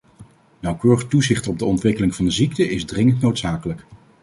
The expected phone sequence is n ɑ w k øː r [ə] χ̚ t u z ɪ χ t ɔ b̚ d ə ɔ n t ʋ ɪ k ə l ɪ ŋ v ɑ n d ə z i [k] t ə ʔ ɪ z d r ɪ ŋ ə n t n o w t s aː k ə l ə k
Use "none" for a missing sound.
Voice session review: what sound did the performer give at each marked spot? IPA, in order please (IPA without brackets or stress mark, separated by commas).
ə, k